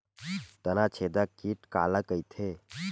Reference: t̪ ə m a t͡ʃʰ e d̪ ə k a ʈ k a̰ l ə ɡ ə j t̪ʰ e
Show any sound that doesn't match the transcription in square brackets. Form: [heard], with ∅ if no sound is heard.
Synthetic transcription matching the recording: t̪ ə [n] a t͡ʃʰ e d̪ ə k [i] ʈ k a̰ l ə [k] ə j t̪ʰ e